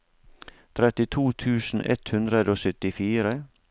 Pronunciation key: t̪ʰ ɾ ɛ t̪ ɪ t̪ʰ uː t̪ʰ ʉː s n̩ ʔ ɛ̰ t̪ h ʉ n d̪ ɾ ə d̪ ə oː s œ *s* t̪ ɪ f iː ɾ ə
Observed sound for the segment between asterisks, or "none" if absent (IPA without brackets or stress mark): none